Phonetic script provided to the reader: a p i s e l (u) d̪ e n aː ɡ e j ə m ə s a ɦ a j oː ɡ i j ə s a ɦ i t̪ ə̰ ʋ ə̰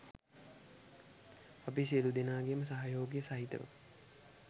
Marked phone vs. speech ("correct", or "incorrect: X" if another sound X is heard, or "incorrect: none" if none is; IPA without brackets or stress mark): correct